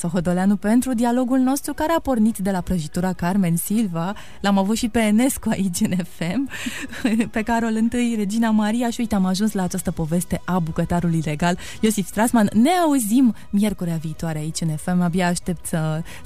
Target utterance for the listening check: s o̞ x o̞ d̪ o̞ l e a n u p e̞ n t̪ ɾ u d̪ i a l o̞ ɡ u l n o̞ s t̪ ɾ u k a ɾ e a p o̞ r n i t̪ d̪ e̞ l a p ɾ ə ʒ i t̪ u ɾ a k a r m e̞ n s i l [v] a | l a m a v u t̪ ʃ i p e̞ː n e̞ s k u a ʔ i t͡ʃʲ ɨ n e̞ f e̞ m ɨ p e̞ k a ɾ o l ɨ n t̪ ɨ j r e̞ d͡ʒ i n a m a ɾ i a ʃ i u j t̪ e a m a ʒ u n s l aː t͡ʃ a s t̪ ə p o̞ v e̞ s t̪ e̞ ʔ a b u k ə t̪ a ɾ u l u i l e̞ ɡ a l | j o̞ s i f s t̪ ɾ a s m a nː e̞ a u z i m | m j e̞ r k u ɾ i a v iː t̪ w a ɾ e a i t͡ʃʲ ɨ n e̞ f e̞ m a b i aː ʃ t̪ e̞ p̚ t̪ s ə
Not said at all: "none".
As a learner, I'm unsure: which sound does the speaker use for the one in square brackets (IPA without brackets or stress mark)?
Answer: v